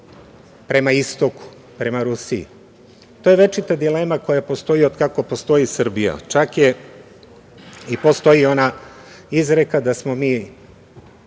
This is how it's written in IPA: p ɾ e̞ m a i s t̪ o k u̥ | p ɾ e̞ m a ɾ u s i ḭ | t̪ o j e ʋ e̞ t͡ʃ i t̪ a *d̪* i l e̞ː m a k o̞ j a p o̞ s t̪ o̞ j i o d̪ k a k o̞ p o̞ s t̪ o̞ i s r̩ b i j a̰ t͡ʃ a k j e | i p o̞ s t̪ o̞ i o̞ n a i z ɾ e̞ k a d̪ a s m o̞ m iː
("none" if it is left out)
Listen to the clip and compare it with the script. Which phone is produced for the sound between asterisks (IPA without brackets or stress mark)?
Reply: d̪